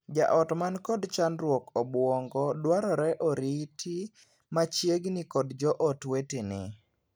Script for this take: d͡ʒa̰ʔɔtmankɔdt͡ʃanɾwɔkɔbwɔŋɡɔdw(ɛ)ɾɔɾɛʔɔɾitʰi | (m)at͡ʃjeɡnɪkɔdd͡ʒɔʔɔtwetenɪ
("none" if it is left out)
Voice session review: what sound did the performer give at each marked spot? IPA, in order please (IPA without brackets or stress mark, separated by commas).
a, m